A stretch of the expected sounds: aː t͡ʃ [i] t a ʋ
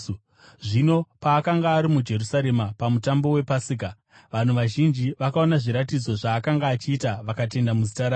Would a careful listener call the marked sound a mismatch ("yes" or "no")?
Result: yes